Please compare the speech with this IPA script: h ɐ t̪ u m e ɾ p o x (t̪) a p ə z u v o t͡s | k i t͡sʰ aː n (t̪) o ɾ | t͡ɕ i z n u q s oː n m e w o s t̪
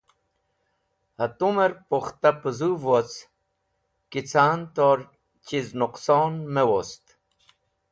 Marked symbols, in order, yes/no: yes, yes

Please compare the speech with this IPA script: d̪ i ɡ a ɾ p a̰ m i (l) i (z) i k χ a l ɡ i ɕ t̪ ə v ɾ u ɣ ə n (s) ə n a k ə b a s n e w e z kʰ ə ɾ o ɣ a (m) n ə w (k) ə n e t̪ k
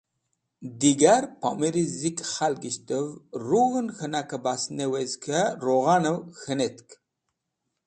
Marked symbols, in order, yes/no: no, yes, no, no, no

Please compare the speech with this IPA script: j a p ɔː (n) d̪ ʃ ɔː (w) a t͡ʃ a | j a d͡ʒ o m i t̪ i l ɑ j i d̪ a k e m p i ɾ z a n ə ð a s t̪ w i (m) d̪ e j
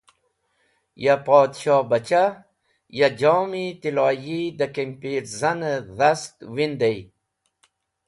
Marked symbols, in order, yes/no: no, no, no

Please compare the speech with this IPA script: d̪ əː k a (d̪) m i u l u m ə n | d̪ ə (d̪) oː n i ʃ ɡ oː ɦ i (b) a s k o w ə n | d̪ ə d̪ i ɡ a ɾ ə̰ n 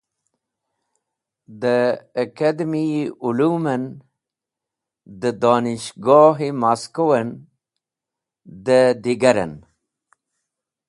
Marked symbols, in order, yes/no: yes, yes, no

